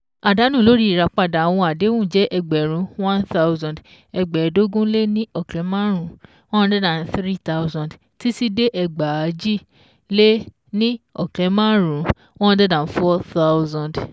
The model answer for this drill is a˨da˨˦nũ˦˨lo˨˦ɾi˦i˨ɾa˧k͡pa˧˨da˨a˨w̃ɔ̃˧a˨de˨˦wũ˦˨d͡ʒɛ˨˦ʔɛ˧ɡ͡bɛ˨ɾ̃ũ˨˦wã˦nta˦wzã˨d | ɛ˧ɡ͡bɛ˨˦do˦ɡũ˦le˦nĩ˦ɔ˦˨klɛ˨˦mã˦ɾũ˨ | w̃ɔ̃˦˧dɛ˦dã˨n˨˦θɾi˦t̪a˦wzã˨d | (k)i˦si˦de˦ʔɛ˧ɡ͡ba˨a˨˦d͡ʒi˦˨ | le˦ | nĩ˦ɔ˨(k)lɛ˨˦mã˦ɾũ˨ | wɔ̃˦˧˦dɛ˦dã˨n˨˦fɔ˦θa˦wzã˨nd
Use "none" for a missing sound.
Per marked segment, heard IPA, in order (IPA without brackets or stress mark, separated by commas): t, k